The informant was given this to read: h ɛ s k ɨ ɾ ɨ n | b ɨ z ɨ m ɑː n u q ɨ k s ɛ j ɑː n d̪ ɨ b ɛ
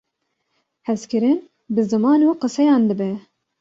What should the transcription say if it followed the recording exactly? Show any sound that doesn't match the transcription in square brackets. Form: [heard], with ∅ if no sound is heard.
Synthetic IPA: h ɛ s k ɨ ɾ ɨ n | b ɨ z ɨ m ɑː n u q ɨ [∅] s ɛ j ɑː n d̪ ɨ b ɛ